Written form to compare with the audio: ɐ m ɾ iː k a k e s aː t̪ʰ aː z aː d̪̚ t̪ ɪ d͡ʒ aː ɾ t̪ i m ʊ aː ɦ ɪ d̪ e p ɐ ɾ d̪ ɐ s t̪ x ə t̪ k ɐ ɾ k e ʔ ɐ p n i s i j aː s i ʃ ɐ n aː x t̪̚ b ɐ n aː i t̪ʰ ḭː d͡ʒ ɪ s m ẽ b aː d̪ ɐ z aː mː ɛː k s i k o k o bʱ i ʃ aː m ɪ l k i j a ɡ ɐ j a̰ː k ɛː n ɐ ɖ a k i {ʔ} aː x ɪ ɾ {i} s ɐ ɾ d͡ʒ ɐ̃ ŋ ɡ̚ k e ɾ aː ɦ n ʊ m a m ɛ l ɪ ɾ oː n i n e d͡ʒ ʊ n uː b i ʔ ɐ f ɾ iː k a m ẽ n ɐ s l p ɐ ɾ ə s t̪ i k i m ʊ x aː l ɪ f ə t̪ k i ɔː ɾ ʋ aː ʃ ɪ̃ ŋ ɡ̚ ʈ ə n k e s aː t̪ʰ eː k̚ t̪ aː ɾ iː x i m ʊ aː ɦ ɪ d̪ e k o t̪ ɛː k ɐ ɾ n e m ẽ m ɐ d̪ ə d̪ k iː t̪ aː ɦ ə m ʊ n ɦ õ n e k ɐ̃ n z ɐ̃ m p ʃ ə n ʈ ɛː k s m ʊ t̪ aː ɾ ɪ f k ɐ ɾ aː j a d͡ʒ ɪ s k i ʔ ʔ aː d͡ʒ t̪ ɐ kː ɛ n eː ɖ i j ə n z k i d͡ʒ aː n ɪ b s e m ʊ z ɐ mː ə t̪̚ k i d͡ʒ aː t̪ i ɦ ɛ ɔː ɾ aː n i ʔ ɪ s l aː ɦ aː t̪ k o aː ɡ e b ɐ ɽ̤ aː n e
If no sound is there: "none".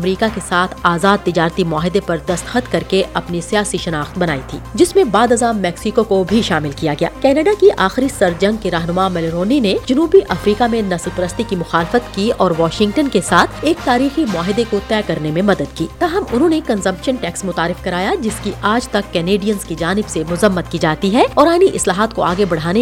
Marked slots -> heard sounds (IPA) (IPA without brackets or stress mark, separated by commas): ʔ, i